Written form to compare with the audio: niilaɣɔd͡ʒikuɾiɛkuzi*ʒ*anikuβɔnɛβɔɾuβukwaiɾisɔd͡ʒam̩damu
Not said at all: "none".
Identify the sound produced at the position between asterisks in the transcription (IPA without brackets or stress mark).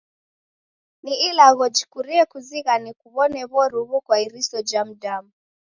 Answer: ɣ